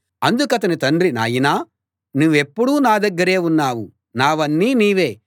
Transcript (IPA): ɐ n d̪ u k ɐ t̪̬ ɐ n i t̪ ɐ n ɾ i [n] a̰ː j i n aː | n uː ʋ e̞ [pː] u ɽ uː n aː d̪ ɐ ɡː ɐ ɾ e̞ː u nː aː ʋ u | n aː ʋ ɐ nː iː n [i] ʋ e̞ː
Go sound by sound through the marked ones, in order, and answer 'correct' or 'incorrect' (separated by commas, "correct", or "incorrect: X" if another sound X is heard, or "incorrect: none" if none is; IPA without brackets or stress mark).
correct, correct, incorrect: iː